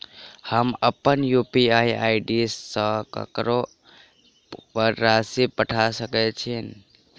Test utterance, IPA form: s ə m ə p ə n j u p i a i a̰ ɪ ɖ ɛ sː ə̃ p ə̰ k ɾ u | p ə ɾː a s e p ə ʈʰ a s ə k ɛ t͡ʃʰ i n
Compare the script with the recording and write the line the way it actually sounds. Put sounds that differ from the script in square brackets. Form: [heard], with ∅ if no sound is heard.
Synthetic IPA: [h] ə m ə p ə n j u p i a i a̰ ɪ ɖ [i] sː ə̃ [k] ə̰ k ɾ [o] | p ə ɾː a s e p ə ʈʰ a s ə k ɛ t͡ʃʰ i n